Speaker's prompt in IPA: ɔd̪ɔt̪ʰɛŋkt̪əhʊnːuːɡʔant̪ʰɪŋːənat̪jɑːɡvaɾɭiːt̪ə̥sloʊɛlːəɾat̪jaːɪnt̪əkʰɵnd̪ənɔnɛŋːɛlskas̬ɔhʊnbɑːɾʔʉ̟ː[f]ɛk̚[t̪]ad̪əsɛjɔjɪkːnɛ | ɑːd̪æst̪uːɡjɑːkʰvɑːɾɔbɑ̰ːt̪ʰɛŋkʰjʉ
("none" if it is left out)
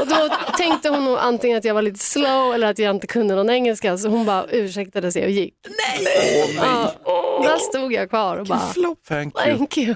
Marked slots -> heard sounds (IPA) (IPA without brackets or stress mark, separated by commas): ʂ, t̪